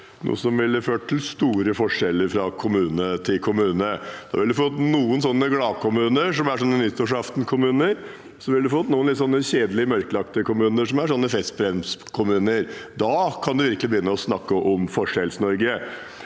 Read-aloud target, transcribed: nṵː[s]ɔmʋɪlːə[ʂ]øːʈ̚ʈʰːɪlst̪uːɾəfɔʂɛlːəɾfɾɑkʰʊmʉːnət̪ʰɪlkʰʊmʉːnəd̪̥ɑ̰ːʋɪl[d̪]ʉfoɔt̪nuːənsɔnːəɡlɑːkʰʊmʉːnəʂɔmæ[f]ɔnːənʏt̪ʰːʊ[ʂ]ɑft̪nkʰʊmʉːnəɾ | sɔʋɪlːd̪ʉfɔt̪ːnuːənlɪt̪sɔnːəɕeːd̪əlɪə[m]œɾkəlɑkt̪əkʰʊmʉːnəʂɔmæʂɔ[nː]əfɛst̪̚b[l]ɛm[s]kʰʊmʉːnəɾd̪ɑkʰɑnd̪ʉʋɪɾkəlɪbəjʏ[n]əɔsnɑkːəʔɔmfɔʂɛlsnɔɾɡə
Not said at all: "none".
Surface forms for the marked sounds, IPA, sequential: s, f, d̪, ʂ, ʂ, m, nː, ɾ, s, nː

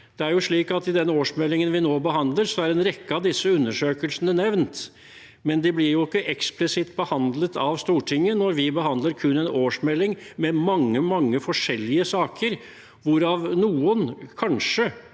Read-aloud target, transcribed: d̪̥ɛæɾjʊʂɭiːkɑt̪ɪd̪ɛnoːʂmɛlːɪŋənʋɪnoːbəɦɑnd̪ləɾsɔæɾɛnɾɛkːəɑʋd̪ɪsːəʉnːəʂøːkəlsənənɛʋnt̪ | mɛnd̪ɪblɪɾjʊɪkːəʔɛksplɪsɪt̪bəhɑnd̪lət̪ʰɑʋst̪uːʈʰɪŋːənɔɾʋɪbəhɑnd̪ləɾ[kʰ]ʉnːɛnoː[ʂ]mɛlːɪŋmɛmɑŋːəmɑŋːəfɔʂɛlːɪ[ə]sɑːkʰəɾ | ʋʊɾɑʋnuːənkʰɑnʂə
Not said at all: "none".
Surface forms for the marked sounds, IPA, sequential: kʰ, ʂ, ə

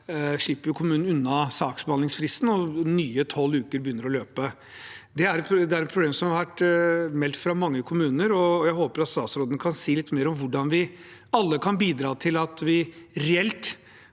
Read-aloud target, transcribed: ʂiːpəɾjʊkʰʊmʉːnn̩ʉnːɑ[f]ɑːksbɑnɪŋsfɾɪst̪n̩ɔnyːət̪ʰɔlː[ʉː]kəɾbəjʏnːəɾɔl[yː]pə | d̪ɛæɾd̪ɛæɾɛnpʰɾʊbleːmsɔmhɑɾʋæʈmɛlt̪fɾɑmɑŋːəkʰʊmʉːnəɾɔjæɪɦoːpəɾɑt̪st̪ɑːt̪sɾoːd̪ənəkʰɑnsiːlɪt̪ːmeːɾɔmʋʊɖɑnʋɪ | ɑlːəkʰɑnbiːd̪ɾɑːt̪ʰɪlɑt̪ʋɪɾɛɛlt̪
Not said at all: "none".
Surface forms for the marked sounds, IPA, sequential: s, ʉː, øː

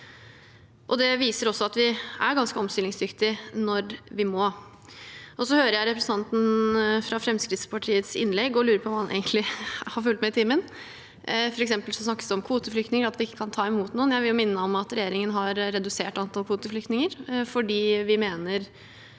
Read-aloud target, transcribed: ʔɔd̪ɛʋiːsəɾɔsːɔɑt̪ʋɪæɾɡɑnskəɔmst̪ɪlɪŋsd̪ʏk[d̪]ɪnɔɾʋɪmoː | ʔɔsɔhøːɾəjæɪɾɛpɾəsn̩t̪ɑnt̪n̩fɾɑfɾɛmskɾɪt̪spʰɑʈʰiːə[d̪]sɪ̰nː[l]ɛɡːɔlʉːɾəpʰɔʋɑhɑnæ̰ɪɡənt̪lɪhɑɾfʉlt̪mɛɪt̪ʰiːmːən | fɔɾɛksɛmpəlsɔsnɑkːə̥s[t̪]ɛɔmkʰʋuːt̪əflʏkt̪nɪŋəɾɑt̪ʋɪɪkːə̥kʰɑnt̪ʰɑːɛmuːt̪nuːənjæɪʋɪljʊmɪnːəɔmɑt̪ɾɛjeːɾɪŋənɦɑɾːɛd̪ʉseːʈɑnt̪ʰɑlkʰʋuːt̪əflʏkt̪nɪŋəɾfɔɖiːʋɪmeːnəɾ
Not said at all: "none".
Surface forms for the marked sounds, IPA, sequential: t̪, t̪, l, d̪

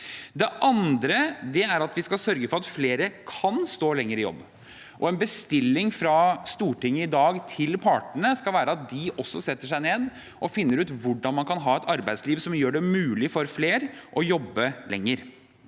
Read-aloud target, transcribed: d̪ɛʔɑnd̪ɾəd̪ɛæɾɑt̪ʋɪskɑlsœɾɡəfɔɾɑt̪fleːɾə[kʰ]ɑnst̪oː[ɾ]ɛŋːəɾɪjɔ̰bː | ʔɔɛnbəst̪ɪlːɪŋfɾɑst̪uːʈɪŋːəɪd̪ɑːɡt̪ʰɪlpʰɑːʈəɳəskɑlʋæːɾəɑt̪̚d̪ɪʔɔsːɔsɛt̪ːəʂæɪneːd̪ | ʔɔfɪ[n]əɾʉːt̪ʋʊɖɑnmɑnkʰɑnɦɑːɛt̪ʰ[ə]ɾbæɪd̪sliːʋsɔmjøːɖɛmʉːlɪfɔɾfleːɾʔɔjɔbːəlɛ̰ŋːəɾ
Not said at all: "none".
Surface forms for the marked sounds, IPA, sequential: kʰ, l, nː, ɑ

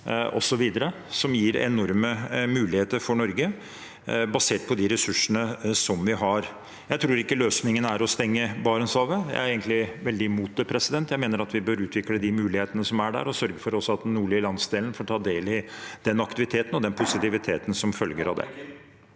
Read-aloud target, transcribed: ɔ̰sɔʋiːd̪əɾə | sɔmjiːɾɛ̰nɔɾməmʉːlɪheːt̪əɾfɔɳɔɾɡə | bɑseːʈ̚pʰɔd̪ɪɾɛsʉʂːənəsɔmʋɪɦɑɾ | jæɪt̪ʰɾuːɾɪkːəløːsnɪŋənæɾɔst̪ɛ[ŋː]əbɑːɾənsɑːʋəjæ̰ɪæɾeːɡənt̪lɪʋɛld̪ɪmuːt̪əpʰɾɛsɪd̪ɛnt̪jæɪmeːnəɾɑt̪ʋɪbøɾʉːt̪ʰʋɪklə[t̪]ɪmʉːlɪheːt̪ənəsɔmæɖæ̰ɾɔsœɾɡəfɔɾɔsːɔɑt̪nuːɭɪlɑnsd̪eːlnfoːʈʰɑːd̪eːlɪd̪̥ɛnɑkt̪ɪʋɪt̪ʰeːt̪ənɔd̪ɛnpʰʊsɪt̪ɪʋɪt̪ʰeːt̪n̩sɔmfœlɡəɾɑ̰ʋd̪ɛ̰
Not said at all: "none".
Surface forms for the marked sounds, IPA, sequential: ŋː, d̪

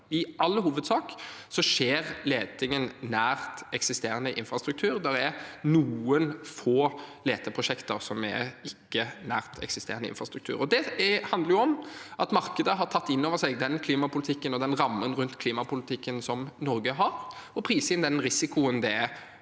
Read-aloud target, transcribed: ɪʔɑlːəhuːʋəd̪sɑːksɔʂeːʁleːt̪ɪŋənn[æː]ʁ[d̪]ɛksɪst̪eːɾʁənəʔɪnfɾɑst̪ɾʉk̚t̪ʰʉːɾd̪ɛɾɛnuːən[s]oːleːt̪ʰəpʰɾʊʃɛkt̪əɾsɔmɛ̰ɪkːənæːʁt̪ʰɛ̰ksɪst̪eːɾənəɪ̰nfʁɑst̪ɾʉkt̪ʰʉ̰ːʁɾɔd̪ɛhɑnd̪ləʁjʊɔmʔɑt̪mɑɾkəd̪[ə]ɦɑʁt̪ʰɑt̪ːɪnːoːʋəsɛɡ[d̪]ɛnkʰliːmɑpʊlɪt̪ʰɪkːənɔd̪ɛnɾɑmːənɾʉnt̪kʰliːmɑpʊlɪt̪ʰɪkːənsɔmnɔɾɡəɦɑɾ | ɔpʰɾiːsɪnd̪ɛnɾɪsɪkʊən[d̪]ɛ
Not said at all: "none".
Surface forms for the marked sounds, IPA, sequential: æː, t̪, f, ə, d̪, d̪

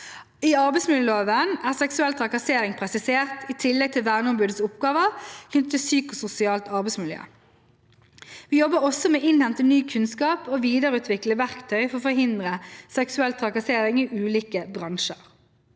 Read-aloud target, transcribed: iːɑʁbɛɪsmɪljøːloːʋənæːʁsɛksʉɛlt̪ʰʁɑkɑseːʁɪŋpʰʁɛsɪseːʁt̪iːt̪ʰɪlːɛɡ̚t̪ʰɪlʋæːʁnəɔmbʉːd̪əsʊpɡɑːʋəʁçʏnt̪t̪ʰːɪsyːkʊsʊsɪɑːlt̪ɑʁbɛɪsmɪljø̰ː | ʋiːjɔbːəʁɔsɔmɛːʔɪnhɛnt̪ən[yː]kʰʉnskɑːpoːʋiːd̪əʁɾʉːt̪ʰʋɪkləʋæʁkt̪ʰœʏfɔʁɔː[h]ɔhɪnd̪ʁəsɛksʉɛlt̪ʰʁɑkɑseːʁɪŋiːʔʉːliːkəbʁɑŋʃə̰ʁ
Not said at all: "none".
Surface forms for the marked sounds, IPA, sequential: yː, f

